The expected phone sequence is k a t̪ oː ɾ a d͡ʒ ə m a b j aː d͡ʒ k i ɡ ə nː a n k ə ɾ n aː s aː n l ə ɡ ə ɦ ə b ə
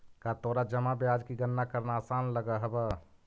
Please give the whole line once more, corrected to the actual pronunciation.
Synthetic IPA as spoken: k a t̪ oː ɾ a d͡ʒ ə m a b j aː d͡ʒ k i ɡ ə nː a k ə ɾ n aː s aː n l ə ɡ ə ɦ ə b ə